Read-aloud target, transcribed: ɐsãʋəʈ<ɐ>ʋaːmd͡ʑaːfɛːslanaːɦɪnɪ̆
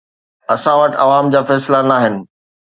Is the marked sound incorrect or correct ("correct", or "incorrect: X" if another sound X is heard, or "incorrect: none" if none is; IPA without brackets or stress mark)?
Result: correct